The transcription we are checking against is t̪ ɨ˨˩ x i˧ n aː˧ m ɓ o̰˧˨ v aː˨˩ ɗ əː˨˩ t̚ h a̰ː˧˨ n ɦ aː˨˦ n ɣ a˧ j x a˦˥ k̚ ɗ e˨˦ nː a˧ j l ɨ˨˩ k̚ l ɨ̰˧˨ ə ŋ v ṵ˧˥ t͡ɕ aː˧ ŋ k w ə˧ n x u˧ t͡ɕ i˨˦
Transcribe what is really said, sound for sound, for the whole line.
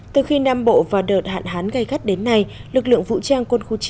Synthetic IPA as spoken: t̪ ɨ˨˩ x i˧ n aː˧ m ɓ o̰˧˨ v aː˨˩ ɗ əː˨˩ t̚ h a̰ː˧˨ n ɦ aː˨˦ n ɣ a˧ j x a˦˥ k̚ ɗ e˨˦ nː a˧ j l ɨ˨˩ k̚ l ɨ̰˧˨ ə ŋ v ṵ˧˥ t͡ɕ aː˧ ŋ k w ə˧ n x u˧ t͡ɕ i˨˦